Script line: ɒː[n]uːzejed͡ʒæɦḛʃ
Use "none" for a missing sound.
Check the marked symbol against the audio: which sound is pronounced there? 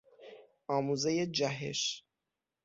m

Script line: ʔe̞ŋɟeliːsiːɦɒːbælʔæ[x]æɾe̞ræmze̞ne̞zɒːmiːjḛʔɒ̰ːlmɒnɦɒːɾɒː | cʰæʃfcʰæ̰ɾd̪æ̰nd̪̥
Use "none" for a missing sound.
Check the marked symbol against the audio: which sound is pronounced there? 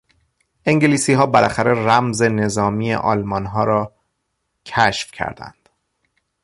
x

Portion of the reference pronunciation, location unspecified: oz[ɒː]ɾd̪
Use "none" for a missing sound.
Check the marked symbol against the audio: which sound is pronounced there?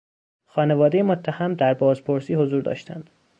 uː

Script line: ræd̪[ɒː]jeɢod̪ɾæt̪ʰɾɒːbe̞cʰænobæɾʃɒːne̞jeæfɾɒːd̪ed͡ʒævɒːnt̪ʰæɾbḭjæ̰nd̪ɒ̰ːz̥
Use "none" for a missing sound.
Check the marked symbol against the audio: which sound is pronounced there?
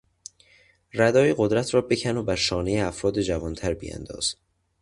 ɒː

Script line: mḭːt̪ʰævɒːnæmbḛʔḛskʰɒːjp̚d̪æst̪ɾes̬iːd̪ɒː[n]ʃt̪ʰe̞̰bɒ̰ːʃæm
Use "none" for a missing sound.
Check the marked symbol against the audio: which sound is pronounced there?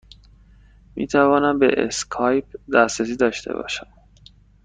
none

